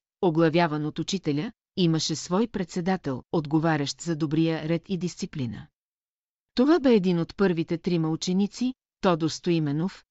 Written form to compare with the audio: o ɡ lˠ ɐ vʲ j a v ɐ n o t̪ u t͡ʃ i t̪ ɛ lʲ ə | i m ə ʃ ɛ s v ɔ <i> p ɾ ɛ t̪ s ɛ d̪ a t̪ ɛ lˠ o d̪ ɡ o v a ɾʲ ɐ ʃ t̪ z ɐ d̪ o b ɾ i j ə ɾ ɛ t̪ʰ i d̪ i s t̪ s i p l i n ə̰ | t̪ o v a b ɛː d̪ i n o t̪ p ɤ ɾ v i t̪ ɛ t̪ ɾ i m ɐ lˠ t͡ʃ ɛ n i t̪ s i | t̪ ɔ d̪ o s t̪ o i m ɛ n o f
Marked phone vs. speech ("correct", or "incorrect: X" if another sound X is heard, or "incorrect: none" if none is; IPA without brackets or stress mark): incorrect: j